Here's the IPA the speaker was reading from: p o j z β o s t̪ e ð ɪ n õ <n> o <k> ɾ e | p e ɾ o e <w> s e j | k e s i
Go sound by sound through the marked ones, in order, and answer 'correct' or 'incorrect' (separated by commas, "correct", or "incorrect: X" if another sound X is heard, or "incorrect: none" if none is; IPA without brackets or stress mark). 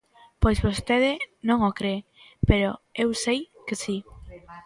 incorrect: ŋ, correct, correct